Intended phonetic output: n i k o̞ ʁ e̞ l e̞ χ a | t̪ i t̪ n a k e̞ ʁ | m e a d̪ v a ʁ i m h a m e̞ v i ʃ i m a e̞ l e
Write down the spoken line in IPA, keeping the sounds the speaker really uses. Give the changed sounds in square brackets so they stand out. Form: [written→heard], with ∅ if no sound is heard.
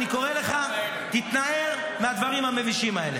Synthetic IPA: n i k o̞ ʁ e̞ l e̞ χ a | t̪ i t̪ n a [k→∅] e̞ ʁ | m e a d̪ v a ʁ i m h a m e̞ v i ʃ i m a e̞ l e